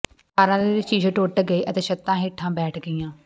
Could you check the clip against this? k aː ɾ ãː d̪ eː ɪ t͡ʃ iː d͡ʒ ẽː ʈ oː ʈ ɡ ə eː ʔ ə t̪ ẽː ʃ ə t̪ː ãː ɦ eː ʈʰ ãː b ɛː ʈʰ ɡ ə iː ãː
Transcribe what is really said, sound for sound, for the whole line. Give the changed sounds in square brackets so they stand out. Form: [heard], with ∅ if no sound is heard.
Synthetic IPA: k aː ɾ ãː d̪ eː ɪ t͡ʃ iː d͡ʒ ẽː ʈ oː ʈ ɡ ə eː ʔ ə t̪ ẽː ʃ ə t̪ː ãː ɦ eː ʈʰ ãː b ɛː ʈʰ ɡ ə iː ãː